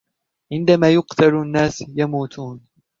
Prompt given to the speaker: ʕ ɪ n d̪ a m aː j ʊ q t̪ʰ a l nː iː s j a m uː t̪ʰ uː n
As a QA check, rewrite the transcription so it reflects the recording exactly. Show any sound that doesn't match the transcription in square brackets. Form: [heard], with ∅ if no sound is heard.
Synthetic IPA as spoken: ʕ ɪ n d̪ a m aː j ʊ q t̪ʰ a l nː [aː] s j a m uː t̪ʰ uː n